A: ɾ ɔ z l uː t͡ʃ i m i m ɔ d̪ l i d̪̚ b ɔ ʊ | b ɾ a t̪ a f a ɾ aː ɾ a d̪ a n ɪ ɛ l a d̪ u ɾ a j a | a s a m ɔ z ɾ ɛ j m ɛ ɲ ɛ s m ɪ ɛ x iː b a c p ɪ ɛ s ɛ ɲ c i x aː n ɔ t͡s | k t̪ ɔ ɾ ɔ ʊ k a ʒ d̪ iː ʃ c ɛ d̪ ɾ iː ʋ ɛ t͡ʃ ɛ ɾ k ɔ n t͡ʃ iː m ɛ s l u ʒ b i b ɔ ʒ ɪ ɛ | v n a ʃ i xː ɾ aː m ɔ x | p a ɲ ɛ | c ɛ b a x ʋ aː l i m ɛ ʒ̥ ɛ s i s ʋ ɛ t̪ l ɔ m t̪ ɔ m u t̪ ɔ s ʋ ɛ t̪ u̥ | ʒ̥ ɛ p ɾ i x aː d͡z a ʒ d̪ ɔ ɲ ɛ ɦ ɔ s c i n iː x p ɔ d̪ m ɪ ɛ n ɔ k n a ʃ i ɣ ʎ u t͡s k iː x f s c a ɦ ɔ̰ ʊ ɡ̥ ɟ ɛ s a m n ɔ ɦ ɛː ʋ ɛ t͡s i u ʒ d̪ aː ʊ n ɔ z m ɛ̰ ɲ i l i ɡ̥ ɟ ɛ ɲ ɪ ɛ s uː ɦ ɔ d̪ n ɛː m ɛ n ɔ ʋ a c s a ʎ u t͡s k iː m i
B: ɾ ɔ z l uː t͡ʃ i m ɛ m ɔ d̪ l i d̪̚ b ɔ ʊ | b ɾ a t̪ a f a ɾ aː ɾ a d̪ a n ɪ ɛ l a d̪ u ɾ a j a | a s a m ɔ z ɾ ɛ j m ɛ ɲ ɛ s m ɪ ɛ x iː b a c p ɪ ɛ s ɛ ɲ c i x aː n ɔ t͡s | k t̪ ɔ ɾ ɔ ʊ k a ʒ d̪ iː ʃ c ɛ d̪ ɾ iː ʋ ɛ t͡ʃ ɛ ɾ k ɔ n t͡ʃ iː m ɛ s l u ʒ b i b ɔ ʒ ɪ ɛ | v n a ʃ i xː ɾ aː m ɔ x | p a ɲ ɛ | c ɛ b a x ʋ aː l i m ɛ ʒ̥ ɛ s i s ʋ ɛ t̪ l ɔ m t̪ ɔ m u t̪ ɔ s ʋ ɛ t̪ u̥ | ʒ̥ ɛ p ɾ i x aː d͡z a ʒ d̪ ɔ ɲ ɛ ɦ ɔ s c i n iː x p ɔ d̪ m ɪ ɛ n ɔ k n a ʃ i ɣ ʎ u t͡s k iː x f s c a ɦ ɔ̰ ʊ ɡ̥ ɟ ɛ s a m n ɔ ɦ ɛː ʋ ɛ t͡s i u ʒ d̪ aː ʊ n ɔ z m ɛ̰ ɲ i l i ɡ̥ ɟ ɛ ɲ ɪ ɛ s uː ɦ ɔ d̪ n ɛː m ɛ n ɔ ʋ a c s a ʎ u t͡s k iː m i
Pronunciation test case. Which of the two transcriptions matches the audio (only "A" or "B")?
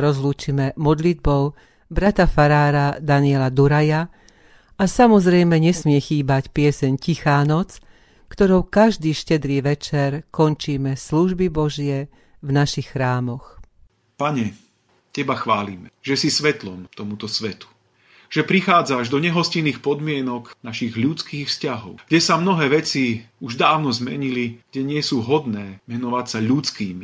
B